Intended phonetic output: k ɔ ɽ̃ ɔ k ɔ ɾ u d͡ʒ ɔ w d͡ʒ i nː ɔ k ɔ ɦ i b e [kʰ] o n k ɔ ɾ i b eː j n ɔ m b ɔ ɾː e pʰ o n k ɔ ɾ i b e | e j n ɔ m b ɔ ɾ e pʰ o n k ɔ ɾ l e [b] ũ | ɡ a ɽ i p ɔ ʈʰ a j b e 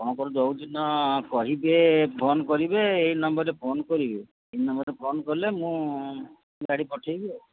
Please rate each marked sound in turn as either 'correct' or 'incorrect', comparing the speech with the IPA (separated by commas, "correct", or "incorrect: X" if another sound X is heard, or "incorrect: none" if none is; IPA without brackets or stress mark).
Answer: incorrect: pʰ, incorrect: m